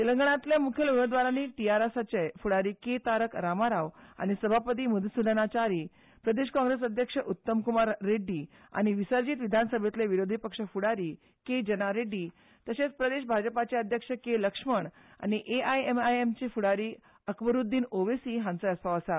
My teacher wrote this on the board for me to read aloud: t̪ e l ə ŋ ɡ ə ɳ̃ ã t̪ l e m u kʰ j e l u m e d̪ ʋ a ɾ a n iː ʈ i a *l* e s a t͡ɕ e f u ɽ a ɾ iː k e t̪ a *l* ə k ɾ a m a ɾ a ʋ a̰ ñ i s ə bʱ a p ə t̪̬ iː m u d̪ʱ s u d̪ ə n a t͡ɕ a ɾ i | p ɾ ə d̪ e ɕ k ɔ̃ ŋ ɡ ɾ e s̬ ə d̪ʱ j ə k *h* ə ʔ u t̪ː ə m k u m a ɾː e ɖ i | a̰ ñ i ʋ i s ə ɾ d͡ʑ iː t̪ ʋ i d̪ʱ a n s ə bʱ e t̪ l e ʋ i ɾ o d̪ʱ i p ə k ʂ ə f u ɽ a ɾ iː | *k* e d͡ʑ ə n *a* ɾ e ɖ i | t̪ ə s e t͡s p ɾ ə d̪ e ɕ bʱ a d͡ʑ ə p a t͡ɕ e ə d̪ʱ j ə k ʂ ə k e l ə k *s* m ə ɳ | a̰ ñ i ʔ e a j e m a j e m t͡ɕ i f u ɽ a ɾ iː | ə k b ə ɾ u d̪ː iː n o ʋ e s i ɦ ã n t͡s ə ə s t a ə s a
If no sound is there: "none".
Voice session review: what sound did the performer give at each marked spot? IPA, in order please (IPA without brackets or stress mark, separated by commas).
ɾ, ɾ, ʂ, k, a, ʂ